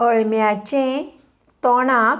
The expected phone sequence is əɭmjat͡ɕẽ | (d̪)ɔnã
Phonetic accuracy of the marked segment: incorrect: t̪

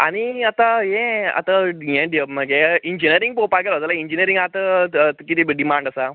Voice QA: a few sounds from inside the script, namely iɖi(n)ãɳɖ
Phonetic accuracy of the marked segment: incorrect: m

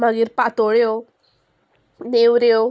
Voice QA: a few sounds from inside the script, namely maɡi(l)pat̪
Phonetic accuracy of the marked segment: incorrect: ɾ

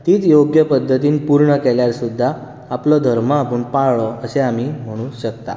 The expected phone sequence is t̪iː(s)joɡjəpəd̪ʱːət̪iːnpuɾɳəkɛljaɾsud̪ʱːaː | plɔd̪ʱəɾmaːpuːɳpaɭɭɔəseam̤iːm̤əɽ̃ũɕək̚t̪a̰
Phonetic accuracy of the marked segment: incorrect: t͡s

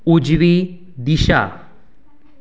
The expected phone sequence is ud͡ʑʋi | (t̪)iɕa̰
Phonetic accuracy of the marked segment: incorrect: d̪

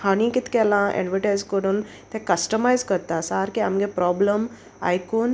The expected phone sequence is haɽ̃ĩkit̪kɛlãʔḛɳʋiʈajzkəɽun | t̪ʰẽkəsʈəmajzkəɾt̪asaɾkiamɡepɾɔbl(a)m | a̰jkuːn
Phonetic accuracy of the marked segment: incorrect: ə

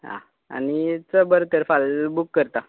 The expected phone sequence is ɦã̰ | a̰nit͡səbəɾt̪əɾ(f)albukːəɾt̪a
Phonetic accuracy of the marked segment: correct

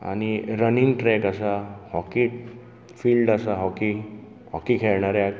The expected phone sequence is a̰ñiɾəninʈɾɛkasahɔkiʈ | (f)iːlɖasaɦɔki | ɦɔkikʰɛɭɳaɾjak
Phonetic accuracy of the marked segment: correct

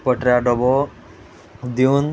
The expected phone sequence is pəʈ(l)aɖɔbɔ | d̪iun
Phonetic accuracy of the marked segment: incorrect: ɾ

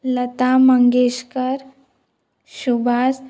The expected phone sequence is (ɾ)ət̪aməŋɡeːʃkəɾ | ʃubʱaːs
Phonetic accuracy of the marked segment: incorrect: l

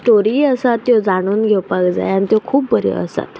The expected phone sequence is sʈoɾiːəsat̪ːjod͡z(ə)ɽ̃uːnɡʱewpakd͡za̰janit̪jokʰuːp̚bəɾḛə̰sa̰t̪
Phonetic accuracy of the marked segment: incorrect: a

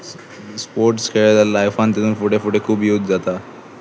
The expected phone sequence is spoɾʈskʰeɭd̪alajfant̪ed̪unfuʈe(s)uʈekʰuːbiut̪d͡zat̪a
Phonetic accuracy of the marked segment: incorrect: f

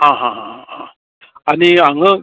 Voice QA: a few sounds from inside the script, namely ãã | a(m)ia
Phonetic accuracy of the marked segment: incorrect: n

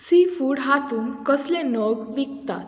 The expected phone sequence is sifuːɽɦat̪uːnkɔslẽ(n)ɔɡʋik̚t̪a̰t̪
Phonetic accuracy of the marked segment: correct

